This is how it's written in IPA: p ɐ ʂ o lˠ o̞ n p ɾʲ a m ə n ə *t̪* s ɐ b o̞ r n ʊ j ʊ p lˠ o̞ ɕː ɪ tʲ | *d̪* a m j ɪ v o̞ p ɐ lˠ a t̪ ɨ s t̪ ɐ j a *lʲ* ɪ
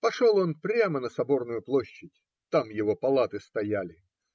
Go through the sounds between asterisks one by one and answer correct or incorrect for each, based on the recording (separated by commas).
incorrect, incorrect, correct